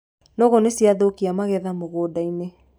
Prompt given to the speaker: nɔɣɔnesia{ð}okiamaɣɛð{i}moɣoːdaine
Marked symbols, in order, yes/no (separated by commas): yes, no